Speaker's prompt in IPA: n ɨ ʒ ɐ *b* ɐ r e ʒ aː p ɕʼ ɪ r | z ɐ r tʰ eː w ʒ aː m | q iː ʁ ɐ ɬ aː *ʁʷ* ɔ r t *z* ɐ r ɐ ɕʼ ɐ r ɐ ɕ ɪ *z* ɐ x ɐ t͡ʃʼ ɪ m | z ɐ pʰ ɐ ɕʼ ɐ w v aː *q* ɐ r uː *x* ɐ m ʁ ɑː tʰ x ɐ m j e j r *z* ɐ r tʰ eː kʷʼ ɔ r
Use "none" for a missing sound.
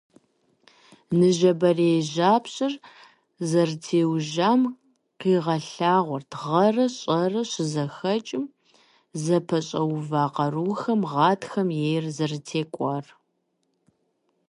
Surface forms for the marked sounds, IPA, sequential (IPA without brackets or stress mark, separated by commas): b, ʁʷ, ʁ, z, q, x, z